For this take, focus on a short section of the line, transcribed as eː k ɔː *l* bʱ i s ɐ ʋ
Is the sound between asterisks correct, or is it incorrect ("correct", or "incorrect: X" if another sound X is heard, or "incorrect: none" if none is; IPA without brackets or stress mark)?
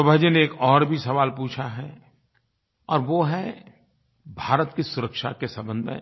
incorrect: ɾ